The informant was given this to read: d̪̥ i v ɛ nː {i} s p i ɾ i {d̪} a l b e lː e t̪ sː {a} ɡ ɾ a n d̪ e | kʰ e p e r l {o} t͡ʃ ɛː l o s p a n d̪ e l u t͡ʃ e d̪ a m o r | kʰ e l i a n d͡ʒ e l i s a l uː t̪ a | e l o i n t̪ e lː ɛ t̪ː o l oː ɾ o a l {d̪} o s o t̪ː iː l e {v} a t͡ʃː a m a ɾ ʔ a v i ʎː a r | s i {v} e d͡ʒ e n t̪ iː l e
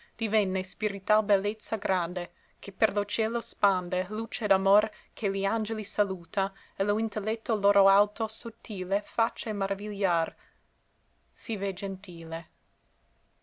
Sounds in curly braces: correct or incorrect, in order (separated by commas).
incorrect, incorrect, correct, correct, incorrect, incorrect, correct